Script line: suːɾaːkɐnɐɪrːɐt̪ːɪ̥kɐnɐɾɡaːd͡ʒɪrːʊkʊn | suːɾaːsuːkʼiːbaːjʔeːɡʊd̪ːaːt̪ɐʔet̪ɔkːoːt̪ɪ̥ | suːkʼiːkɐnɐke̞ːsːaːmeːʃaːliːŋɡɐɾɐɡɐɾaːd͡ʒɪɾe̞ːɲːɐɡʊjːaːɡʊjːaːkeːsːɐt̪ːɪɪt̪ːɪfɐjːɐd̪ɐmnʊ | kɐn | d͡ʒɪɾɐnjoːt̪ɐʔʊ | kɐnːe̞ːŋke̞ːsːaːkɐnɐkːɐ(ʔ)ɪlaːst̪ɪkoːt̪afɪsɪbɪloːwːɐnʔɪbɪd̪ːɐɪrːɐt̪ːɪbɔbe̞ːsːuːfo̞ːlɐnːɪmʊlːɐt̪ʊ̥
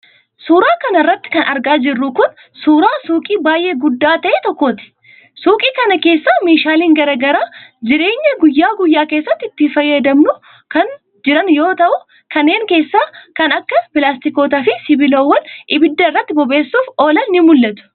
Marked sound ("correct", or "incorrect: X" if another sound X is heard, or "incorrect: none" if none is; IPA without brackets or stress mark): incorrect: p